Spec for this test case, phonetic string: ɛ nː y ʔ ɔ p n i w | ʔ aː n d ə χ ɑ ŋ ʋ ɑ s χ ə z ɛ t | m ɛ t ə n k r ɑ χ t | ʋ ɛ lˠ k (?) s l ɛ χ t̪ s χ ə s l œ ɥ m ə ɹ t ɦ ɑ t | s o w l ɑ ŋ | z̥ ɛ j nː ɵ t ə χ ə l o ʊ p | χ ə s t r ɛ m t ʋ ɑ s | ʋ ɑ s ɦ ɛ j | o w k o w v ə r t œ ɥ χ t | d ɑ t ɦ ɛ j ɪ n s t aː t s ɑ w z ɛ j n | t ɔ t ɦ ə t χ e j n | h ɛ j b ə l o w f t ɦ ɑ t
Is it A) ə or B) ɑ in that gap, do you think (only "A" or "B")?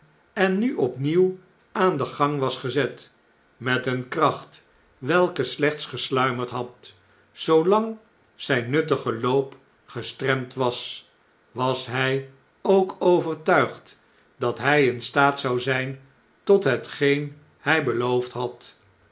A